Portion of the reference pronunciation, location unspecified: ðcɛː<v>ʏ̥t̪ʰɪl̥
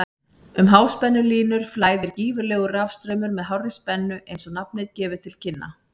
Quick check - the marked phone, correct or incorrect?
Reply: correct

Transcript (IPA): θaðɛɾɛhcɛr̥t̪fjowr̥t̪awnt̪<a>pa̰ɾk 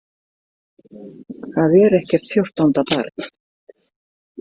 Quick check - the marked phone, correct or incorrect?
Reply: correct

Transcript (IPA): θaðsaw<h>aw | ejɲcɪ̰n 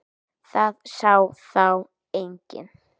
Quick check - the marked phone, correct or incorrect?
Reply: incorrect: θ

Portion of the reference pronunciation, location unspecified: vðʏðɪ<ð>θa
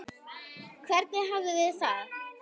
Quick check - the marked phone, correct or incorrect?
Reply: correct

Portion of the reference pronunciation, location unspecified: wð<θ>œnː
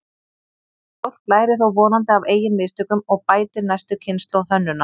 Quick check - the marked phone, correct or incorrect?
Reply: correct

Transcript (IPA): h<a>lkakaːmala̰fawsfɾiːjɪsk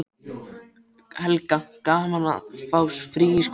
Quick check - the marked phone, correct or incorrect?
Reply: incorrect: ɛ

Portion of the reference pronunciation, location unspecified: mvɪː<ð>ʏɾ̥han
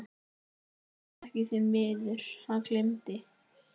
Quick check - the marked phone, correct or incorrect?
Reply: correct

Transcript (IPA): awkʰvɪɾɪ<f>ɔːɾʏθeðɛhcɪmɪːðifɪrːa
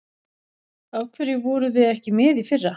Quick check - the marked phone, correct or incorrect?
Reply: incorrect: v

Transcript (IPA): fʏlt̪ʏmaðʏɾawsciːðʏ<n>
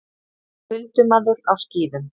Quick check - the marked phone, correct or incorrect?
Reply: incorrect: m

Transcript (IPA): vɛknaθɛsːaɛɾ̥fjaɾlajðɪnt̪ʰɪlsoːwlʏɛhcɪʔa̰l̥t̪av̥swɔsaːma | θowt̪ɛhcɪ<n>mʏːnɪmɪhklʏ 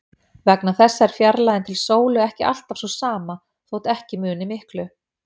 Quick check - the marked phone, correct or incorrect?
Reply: incorrect: none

